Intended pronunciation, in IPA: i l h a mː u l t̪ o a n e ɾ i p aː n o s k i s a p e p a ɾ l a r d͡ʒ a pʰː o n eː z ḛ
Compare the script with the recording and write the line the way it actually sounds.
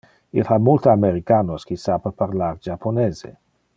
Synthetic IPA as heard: i l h a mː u l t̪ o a m e ɾ i k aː n o s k i s a p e p a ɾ l a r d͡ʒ a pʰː o n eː z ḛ